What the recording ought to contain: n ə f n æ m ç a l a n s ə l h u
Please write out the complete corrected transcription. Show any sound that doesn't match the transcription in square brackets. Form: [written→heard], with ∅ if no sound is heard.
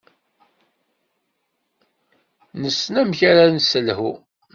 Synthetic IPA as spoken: n ə [f→s] n æ m ç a [l→ɾ] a n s ə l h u

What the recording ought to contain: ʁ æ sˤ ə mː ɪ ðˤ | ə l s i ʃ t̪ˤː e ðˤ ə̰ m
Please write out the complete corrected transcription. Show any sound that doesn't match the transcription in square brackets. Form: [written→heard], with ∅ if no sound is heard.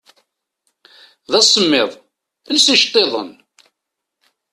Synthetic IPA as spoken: [ʁ→ð] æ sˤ ə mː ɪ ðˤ | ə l s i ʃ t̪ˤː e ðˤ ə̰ [m→n]

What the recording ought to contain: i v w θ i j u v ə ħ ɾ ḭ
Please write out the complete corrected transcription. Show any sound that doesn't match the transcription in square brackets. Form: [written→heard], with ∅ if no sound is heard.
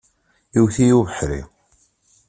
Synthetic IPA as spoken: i [v→∅] w θ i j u v ə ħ ɾ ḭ

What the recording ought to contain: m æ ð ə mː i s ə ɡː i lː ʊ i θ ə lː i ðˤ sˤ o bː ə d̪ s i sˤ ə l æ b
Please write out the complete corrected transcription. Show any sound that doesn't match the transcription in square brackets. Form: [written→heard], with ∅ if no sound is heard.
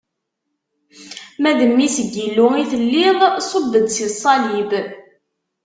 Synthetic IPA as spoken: m æ ð ə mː i s ə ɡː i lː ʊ i θ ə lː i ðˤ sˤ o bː ə d̪ s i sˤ [ə→ɑ] l [æ→i] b

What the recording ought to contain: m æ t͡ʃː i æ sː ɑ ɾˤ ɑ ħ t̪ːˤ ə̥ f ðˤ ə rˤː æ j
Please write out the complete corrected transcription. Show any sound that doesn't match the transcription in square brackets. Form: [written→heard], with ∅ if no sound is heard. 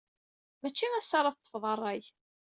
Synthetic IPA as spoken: m æ t͡ʃː i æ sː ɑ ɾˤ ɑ [ħ→θ] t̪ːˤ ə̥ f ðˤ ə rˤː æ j

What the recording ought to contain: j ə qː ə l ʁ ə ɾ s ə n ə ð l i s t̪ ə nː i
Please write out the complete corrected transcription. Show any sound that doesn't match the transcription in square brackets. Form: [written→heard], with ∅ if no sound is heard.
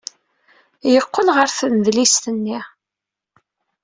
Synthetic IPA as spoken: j ə qː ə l ʁ ə ɾ [s→θ] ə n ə ð l i s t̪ ə nː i

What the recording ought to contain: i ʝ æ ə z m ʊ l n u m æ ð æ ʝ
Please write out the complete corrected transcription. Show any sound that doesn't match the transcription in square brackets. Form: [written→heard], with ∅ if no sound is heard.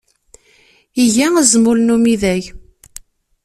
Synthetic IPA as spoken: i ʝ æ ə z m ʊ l n u m [æ→i] ð æ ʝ

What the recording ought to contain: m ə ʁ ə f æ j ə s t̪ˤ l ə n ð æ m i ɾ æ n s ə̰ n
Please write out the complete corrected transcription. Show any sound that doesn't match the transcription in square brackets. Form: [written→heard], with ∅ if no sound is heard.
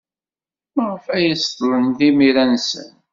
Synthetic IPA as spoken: m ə ʁ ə f æ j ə s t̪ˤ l ə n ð [æ→i] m i ɾ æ n s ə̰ n

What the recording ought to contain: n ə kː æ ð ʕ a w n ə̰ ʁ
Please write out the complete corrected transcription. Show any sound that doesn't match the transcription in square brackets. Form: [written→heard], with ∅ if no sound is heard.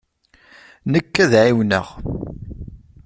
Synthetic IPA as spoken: n ə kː æ ð ʕ [a→i] w n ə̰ ʁ

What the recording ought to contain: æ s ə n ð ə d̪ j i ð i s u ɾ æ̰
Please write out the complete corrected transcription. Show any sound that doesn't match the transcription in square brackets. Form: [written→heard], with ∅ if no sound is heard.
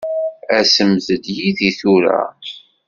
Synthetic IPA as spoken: æ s ə [n→m] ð ə d̪ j i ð i [s→θ] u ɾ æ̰

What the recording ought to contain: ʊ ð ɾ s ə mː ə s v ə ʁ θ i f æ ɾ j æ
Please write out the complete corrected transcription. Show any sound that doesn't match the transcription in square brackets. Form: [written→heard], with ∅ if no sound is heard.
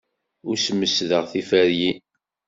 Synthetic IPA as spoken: ʊ [ð→∅] ɾ s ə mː ə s [v→ð] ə ʁ θ i f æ ɾ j [æ→i]

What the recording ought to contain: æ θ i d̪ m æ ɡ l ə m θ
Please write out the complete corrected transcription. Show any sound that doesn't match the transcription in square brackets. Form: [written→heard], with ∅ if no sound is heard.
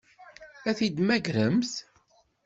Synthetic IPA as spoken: æ θ i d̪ m æ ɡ [l→ɾ] ə m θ

